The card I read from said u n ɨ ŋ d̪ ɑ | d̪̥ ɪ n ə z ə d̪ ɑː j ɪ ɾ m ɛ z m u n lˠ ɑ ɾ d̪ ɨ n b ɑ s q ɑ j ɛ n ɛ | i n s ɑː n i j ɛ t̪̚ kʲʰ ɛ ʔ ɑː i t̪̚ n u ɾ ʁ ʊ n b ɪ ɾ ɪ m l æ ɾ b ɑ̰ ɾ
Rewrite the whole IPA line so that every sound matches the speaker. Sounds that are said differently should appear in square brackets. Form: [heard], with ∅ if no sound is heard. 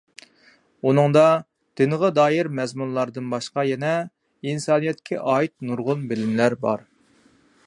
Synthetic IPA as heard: u n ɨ ŋ d̪ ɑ | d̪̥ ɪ n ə [ʁ] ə d̪ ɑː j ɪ ɾ m ɛ z m u n lˠ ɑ ɾ d̪ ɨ n b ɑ [ʃ] q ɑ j ɛ n ɛ | i n s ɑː n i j ɛ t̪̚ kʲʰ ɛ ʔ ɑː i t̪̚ n u ɾ ʁ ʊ n b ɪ [l] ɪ m l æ ɾ b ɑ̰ ɾ